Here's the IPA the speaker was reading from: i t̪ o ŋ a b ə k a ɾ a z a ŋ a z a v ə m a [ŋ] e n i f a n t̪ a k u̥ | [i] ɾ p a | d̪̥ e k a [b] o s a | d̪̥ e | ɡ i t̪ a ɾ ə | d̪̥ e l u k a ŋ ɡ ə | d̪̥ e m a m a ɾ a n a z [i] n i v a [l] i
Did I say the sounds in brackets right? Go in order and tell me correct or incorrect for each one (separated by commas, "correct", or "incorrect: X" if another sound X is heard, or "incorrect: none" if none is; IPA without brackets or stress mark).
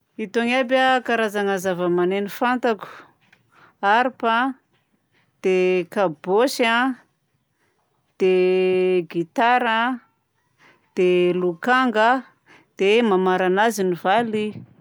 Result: incorrect: n, incorrect: a, correct, correct, correct